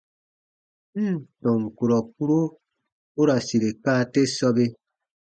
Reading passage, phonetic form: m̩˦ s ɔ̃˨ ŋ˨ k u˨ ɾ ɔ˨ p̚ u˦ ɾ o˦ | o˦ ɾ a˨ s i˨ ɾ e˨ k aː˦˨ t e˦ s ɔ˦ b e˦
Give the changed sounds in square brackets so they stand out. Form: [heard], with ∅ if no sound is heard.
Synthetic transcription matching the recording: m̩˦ [t] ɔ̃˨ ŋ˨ k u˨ ɾ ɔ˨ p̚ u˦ ɾ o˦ | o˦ ɾ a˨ s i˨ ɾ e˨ k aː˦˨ t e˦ s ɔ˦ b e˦